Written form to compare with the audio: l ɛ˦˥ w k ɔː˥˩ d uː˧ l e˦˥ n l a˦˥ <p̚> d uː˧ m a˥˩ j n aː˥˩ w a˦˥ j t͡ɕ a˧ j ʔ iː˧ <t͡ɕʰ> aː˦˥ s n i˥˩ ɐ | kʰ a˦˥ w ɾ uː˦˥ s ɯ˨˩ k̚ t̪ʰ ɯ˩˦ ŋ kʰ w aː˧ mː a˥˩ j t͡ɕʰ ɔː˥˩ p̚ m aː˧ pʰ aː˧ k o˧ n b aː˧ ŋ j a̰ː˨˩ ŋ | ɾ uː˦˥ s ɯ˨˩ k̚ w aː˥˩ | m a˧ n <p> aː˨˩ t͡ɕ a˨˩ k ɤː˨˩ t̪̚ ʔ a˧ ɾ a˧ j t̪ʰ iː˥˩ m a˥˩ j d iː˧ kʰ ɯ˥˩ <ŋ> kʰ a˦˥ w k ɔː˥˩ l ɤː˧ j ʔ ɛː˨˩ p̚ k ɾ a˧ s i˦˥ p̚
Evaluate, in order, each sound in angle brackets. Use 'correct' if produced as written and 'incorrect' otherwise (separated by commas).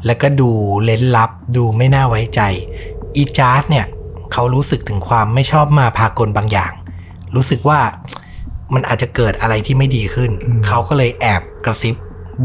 correct, incorrect, incorrect, incorrect